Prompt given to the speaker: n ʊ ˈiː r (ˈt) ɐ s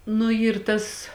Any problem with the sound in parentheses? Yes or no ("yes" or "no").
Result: no